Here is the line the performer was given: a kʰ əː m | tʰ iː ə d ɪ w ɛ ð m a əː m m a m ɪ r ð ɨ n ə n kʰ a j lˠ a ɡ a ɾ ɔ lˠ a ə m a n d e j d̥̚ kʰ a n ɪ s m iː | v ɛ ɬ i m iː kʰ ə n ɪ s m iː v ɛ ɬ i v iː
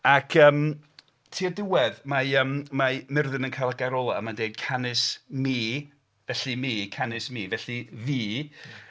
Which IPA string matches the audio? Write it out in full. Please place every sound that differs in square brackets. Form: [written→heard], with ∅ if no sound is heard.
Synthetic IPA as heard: a kʰ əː m | tʰ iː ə d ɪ w ɛ ð m a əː m m a m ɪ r ð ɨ n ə n kʰ a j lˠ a ɡ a ɾ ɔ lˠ a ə m a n d e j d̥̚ kʰ a n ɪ s m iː | v ɛ ɬ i m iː kʰ [ə→a] n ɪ s m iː v ɛ ɬ i v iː